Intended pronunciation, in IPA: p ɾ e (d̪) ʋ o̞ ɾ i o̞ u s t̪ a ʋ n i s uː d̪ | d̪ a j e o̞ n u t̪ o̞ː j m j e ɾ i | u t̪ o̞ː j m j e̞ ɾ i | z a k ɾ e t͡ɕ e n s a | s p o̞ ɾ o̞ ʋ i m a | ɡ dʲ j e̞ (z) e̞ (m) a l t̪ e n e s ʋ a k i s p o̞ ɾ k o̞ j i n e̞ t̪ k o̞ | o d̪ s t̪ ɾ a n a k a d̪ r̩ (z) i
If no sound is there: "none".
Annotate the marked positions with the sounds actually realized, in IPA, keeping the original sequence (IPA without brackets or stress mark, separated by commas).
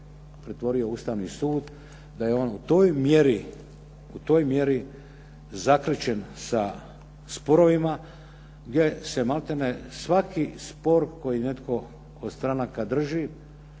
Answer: t̪, s, m, ʒ